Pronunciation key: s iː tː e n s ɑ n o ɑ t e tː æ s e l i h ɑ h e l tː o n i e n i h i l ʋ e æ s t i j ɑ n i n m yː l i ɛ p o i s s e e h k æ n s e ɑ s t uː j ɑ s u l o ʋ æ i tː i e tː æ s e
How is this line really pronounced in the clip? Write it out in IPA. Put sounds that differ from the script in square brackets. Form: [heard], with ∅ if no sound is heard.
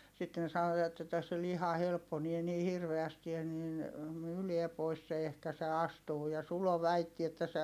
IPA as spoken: s [i] tː e n s ɑ n o ɑ t e tː æ s e l i h ɑ h e l [pː] o n i e n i h i [r] ʋ e æ s t i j ɑ n i n m yː l i ɛ p o i s s e e h k æ [∅] s e ɑ s t uː j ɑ s u l o ʋ æ i tː i e tː æ s e